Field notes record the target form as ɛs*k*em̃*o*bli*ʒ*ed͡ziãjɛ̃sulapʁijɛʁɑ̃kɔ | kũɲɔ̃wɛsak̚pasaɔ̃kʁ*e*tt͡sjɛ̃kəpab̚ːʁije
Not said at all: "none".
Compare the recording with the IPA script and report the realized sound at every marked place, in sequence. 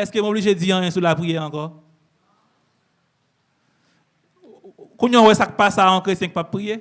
k, o, ʒ, e

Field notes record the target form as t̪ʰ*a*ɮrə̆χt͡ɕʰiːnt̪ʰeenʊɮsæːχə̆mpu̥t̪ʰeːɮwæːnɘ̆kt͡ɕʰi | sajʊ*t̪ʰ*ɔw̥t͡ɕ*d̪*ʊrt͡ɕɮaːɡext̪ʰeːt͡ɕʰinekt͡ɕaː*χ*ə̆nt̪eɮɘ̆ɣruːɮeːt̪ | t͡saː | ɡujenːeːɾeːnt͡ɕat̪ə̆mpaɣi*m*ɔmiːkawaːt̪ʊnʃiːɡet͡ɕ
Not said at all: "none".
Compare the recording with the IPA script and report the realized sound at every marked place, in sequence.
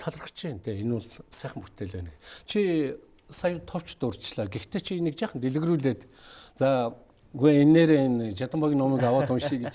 a, t̪ʰ, t̪, χ, n

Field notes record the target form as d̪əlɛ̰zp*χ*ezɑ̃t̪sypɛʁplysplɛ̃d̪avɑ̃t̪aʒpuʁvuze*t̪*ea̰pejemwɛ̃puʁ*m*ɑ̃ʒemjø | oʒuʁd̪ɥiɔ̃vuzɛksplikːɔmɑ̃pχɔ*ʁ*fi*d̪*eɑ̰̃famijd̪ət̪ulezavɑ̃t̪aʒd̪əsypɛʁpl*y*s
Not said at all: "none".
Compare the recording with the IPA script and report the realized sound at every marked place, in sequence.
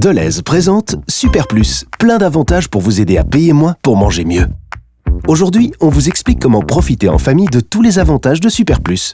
χ, d̪, m, none, t̪, y

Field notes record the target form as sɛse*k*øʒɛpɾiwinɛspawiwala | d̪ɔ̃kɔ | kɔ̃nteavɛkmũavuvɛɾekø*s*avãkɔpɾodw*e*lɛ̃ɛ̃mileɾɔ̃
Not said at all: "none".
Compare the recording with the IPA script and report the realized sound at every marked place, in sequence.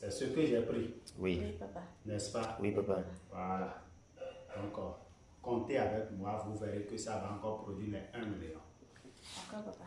k, s, i

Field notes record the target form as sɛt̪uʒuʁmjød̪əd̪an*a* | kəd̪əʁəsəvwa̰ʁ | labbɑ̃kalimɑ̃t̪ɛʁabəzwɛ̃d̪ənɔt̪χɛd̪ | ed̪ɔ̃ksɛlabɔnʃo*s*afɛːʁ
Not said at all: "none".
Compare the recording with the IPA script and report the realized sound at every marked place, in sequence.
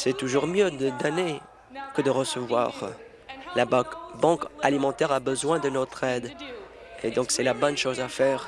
e, z

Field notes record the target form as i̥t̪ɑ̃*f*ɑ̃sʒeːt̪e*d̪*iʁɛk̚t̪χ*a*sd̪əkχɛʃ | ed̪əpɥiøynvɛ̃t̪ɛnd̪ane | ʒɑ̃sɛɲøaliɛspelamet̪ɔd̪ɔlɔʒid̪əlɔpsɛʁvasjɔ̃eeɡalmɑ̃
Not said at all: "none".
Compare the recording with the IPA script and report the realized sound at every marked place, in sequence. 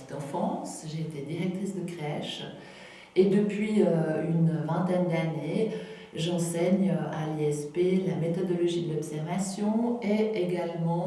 f, d̪, i

